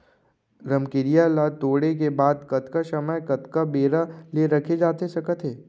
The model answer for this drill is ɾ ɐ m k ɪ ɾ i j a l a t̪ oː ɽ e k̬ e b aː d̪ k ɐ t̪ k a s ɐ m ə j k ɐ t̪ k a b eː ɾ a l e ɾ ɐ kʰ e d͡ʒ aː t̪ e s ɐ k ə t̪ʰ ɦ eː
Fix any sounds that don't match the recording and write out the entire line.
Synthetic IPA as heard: ɾ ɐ m k ɪ ɾ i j a l a t̪ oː ɽ e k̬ e b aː d̪ k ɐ t̪ k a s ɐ m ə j k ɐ t̪ k a b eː ɾ a l e ɾ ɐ kʰ e d͡ʒ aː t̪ e s ɐ k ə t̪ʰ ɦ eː